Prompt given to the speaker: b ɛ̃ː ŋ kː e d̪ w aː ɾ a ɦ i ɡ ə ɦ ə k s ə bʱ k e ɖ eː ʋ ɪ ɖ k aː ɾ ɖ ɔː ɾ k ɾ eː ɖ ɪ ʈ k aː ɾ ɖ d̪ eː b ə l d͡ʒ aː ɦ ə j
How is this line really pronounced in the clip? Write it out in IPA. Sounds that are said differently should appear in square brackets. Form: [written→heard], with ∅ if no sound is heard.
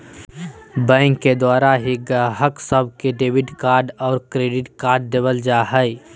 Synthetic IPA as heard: b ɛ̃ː ŋ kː e d̪ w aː ɾ a ɦ i ɡ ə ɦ ə k s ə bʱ k e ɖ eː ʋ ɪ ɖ k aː ɾ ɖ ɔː ɾ k ɾ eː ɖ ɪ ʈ k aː ɾ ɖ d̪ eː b ə l d͡ʒ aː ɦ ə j